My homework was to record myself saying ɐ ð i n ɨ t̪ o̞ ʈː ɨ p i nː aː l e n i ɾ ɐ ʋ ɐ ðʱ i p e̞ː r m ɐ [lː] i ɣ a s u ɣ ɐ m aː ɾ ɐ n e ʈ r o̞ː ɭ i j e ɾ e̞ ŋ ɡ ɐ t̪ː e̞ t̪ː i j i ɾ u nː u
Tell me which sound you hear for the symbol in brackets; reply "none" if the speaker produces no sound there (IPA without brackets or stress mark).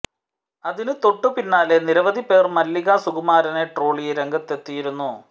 lː